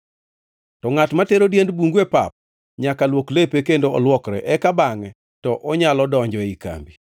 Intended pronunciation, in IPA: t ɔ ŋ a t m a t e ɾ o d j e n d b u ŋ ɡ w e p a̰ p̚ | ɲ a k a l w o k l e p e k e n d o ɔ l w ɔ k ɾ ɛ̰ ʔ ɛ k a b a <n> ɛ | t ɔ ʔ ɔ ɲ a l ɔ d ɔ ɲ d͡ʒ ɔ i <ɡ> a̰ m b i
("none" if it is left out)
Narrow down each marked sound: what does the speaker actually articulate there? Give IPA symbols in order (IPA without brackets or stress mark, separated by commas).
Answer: ŋ, k